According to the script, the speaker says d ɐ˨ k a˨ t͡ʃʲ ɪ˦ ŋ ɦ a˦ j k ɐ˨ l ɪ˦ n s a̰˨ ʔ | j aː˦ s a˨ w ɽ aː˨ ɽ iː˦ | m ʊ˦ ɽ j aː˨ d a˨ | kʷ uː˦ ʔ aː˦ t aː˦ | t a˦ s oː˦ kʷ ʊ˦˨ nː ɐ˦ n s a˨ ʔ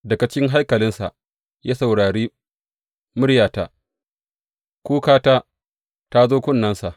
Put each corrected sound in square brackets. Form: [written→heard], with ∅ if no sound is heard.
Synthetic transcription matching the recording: d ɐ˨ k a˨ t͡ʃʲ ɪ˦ ŋ ɦ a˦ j k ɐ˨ l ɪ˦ n s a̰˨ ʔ | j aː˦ s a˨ w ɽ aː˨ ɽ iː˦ | m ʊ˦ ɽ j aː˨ [d→t] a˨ | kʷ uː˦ [ʔ→k] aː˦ t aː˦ | t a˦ [s→z] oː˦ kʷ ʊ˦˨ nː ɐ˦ n s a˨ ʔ